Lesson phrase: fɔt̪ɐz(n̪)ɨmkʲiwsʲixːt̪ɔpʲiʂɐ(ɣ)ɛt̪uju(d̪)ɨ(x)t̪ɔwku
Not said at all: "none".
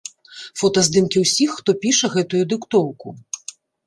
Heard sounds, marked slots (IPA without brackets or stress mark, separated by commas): d̪, ɣ, d̪, k